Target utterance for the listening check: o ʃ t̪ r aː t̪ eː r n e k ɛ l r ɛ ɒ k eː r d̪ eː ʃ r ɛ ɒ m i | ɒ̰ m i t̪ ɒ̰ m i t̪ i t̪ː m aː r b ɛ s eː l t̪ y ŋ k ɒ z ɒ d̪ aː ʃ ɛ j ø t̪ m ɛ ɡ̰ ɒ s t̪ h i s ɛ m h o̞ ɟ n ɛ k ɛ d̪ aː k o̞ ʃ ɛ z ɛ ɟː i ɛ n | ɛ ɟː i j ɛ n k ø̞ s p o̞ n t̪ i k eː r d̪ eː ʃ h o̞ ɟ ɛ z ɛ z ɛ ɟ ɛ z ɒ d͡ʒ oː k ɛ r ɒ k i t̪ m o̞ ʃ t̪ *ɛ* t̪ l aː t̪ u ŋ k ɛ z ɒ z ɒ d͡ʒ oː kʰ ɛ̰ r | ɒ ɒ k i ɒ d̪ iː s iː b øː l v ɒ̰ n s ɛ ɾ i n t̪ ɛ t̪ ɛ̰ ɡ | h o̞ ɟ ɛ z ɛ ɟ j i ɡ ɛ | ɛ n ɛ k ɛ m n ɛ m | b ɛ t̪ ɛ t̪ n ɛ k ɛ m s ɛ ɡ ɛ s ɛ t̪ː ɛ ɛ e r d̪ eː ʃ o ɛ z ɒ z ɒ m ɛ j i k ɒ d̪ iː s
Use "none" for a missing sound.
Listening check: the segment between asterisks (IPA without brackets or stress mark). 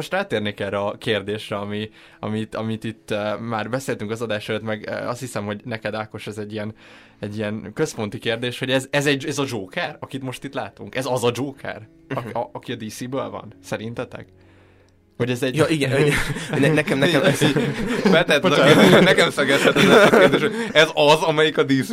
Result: i